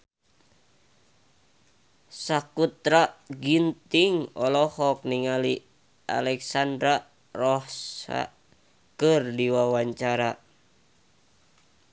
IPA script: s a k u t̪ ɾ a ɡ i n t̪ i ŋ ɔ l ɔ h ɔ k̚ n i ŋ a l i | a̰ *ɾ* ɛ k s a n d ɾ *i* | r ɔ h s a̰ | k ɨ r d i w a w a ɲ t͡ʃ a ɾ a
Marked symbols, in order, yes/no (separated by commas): no, no